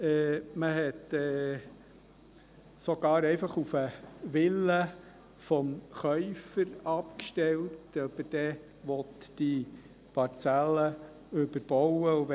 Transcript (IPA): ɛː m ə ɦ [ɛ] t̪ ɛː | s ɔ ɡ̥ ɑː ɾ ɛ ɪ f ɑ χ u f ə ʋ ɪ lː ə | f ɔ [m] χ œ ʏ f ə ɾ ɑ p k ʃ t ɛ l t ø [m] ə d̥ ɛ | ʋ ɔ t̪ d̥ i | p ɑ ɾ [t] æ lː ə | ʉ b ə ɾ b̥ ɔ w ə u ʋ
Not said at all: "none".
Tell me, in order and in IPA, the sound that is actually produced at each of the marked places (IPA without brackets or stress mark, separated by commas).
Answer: ɛ, m, b, t͡s